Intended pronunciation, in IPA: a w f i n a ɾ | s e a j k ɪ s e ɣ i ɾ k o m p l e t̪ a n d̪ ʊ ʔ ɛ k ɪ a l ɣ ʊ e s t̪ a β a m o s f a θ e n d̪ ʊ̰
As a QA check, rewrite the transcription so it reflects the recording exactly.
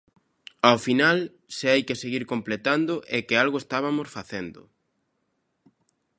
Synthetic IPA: a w f i n a l | s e a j k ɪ s e ɣ i ɾ k o m p l e t̪ a n d̪ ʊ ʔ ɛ k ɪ a l ɣ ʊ e s t̪ a β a m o s f a θ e n d̪ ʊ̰

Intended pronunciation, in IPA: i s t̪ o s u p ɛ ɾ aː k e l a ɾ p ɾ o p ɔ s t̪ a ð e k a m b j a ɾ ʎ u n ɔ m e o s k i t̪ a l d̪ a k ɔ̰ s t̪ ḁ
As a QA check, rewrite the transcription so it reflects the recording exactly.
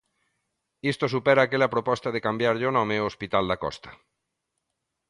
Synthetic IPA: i s t̪ o s u p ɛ ɾ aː k e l a p ɾ o p ɔ s t̪ a ð e k a m b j a ɾ ʎ o n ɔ m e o s p i t̪ a l d̪ a k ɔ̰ s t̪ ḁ

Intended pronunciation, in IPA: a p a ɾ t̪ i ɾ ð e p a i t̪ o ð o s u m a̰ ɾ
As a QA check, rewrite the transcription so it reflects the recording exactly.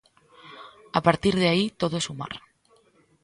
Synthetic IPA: a p a ɾ t̪ i ɾ ð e a i t̪ o ð o s u m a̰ ɾ

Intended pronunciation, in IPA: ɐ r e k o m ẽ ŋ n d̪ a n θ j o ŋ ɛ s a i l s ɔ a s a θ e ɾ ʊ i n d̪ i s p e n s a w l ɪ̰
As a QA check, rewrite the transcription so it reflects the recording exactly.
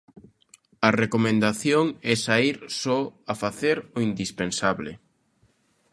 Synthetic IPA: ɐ r e k o m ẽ n d̪ a θ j o ŋ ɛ s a i ɾ s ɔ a f a θ e ɾ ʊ i n d̪ i s p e n s a β l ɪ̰

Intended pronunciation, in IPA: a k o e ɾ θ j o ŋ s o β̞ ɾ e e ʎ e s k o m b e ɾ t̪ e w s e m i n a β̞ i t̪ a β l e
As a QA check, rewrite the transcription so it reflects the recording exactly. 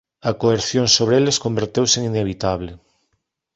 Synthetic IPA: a k o e ɾ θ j o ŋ s o β̞ ɾ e e l e s k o m b e ɾ t̪ e w s e ŋ i n e β̞ i t̪ a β l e

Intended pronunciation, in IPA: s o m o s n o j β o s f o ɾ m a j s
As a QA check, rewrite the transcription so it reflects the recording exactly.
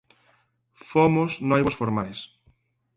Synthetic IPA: f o m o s n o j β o s f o ɾ m a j s

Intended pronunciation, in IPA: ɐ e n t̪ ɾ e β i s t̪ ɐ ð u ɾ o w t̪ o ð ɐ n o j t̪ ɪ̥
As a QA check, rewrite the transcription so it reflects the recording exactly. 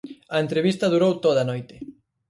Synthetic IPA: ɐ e n t̪ ɾ e β i s t̪ ɐ ð u ɾ o w t̪ o ð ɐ n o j t̪ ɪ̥

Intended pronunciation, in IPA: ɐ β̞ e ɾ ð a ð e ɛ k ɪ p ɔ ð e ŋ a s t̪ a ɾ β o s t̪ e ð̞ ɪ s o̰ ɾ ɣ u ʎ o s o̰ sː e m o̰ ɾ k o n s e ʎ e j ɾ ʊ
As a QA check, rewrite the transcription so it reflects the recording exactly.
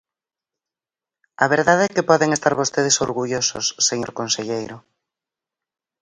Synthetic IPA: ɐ β̞ e ɾ ð a ð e ɛ k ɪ p ɔ ð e ŋ e s t̪ a ɾ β o s t̪ e ð̞ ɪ s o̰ ɾ ɣ u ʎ o s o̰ sː e ɲ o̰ ɾ k o n s e ʎ e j ɾ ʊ

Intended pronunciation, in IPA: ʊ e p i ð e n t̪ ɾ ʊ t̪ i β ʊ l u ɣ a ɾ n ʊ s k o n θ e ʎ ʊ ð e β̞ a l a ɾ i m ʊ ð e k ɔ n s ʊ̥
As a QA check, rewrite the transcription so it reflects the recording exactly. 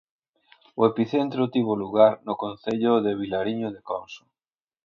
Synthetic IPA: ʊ e p i θ e n t̪ ɾ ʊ t̪ i β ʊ l u ɣ a ɾ n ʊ k o n θ e ʎ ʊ ð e β̞ i l a ɾ i ɲ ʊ ð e k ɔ n s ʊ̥

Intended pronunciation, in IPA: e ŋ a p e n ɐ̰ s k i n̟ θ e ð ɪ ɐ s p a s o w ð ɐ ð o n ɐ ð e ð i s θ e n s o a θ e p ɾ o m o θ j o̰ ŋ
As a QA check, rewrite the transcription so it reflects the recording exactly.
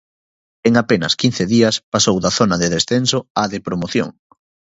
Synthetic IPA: e ŋ a p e n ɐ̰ s k i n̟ θ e ð i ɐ s p a s o w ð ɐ θ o n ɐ ð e ð e s θ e n s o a ð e p ɾ o m o θ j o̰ ŋ

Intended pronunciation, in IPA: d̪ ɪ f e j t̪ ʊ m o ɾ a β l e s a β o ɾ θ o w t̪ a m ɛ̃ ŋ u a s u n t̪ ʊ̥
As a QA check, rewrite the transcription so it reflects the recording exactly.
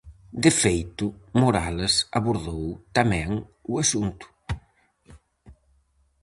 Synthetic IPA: d̪ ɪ f e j t̪ ʊ m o ɾ a l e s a β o ɾ ð o w t̪ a m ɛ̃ ŋ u a s u n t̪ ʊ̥

